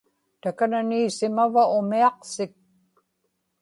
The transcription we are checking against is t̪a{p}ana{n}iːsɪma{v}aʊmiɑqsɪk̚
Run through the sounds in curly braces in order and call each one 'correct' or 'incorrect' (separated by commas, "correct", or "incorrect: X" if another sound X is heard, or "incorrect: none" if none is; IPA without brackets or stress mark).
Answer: incorrect: k, correct, correct